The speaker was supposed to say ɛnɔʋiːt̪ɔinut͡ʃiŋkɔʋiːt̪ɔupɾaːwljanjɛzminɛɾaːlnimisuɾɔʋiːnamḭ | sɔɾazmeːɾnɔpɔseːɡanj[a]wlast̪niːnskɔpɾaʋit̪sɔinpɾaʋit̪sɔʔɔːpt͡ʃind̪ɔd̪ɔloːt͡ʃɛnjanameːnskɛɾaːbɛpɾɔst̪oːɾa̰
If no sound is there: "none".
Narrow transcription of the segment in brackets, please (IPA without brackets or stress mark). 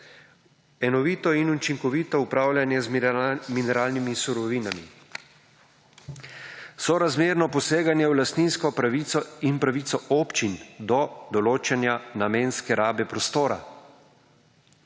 ɛ